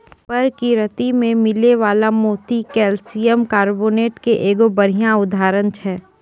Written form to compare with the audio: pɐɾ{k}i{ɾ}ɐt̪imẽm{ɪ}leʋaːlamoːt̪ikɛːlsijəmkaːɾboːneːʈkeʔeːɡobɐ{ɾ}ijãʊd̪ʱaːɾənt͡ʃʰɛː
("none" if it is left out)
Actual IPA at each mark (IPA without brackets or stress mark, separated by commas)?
k, ɾ, ɪ, ɾ